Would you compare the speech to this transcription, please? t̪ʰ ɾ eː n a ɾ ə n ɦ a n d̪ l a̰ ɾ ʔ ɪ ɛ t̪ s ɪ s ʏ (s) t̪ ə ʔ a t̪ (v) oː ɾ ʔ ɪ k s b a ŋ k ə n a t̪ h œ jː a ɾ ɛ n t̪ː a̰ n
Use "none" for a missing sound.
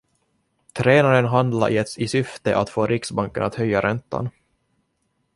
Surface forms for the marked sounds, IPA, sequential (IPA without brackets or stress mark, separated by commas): f, f